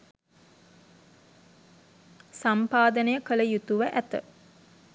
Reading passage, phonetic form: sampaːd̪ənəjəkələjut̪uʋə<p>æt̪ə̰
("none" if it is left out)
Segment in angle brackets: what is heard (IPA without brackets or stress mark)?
ʔ